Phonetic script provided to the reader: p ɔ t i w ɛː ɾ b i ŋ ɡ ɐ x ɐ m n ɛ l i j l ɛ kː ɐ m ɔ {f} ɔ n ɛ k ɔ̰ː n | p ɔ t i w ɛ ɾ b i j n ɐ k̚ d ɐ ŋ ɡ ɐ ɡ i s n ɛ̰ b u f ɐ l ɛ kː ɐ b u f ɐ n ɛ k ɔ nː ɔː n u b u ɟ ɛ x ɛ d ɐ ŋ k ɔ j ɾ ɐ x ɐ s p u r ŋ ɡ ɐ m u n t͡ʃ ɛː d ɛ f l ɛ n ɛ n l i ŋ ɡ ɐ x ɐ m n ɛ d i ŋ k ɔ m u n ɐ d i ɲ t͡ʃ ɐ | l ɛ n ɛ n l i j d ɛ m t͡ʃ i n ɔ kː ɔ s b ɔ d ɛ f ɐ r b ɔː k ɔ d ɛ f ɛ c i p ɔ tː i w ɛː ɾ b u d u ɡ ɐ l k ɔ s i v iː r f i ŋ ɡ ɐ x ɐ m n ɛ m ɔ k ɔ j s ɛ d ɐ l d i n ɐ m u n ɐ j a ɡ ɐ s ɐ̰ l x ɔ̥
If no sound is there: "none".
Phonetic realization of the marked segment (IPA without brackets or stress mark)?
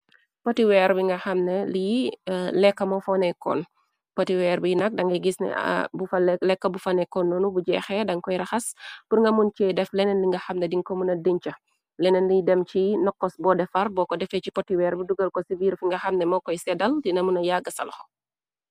f